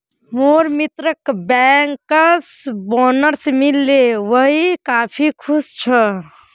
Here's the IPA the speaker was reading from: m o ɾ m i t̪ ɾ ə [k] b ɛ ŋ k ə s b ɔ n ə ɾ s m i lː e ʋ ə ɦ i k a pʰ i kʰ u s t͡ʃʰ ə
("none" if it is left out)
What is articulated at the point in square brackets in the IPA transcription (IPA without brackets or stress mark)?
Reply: k